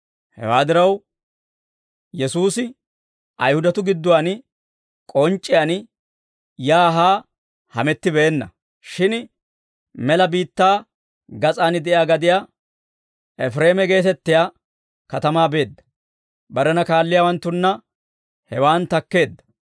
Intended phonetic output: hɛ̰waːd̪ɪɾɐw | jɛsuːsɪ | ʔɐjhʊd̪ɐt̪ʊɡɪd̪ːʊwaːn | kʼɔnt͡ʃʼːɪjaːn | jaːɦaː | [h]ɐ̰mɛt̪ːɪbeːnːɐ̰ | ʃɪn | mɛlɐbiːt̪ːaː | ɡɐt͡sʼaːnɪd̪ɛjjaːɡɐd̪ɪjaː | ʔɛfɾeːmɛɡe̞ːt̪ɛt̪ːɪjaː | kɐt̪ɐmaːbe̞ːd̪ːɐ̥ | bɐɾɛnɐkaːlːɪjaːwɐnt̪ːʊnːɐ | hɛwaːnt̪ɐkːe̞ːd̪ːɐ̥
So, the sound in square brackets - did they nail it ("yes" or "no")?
yes